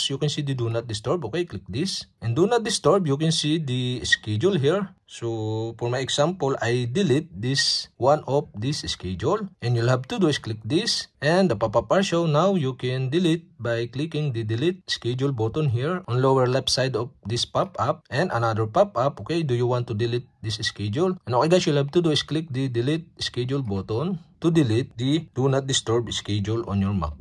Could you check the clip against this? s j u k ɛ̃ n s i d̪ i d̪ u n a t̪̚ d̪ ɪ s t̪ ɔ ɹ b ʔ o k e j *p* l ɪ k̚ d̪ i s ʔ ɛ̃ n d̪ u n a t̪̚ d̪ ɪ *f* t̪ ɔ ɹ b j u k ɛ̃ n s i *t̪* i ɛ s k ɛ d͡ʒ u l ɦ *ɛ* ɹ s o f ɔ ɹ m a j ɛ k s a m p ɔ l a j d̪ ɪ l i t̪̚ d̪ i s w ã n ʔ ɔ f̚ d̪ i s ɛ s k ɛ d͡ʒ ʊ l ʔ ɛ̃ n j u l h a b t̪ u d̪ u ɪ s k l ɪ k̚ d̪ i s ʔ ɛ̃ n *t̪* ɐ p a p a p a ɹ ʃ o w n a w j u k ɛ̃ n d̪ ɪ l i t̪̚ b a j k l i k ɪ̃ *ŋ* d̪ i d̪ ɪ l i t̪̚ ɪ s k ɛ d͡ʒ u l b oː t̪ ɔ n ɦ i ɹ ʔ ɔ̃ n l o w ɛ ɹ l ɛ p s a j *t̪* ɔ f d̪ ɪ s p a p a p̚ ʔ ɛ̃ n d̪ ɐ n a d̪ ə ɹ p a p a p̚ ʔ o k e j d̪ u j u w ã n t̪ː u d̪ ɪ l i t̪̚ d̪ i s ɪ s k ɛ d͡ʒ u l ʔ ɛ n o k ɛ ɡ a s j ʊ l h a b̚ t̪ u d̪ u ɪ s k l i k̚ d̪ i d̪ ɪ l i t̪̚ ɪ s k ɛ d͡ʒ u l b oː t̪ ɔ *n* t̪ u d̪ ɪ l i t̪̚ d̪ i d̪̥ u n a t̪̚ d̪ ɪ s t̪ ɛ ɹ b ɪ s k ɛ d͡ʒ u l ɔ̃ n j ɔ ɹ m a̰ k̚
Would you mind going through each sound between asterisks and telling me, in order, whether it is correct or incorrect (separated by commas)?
incorrect, incorrect, incorrect, incorrect, incorrect, correct, incorrect, correct